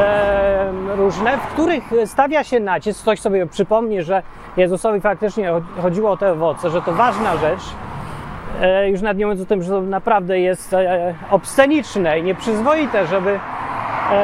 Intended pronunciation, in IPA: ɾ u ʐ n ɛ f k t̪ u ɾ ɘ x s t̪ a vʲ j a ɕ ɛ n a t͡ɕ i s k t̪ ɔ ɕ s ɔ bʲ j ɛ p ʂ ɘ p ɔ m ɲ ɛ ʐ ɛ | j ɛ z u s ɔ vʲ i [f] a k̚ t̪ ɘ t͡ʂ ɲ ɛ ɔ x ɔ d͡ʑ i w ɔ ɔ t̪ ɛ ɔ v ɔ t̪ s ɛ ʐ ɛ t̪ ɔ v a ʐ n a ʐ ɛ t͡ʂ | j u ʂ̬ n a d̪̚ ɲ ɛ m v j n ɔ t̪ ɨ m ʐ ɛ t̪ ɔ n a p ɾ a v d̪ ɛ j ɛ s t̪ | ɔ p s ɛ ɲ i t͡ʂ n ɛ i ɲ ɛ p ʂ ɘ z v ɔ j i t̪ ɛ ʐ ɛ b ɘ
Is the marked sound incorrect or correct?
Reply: correct